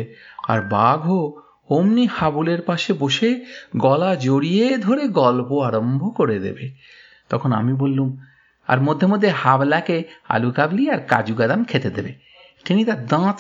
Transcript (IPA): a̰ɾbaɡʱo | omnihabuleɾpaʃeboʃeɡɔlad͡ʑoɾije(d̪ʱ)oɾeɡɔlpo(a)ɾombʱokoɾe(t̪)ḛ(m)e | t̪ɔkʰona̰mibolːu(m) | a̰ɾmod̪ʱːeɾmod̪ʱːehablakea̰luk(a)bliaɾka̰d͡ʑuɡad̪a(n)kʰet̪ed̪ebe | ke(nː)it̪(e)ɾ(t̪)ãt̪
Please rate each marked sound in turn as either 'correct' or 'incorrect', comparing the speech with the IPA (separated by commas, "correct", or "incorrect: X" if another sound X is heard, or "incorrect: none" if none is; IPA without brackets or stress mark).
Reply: correct, correct, incorrect: d̪, incorrect: b, correct, correct, incorrect: m, incorrect: n, incorrect: a, incorrect: d̪